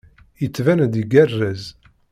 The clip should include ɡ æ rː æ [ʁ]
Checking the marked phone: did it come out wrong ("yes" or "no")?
yes